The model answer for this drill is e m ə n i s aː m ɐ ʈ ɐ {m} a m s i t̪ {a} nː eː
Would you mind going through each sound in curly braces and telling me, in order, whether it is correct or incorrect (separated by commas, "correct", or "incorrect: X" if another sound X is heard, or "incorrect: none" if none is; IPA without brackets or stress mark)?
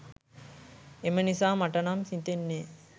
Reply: incorrect: n, incorrect: e